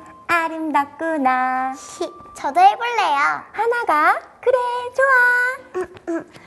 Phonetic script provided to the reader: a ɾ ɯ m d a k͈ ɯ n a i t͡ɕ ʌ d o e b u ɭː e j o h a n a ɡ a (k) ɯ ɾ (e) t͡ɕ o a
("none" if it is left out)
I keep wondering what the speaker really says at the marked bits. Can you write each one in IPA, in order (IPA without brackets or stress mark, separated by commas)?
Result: k, e